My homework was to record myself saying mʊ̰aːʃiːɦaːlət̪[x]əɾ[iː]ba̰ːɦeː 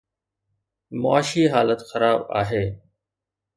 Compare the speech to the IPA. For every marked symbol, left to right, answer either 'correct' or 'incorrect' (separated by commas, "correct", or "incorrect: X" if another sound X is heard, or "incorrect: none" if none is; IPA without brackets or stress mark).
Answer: correct, incorrect: aː